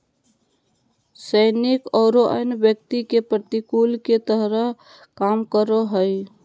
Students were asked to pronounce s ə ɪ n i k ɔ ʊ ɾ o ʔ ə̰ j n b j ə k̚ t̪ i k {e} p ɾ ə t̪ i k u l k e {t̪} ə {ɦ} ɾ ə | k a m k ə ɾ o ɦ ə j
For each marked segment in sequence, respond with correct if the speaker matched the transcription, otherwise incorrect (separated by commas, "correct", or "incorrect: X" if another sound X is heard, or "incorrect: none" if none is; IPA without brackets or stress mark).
correct, correct, correct